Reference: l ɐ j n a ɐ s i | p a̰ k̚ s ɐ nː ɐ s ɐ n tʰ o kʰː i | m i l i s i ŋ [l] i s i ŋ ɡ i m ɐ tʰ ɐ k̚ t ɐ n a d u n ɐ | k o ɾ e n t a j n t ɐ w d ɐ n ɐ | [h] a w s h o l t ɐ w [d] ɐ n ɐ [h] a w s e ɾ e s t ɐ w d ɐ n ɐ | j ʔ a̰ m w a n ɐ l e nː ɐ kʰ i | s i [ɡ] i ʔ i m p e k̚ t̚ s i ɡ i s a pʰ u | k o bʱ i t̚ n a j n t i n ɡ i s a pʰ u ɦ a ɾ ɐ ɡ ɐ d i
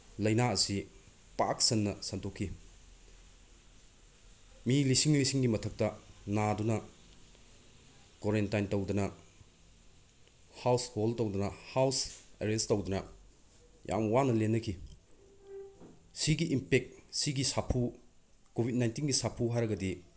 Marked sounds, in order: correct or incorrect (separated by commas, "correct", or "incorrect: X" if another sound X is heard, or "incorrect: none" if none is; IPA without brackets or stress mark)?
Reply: correct, correct, correct, correct, correct